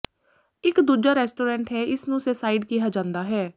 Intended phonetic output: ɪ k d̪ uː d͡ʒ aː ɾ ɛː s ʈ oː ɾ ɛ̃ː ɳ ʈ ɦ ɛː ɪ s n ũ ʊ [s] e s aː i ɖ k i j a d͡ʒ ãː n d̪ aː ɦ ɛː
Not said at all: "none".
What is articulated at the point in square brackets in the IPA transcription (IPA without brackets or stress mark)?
s